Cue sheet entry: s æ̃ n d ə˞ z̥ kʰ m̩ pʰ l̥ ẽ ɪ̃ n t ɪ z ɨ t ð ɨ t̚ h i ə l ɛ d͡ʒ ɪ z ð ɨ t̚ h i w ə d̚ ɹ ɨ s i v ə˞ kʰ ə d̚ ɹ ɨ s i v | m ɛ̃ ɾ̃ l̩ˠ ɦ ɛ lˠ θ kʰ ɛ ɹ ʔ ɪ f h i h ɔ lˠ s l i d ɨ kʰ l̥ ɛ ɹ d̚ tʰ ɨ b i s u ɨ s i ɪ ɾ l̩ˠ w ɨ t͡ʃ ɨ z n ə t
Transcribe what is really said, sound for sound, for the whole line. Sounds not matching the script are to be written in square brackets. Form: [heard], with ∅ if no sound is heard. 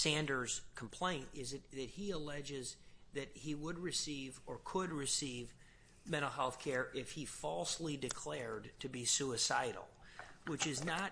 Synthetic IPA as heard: s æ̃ n d ə˞ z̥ kʰ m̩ pʰ l̥ ẽ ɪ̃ n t ɪ z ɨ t ð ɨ t̚ h i ə l ɛ d͡ʒ ɪ z ð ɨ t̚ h i w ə d̚ ɹ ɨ s i v ə˞ kʰ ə d̚ ɹ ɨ s i v | m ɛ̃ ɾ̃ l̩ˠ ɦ ɛ lˠ θ kʰ ɛ ɹ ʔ ɪ f h i [f] ɔ lˠ s l i d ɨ kʰ l̥ ɛ ɹ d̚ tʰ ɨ b i s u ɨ s [a] ɪ ɾ l̩ˠ w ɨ t͡ʃ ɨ z n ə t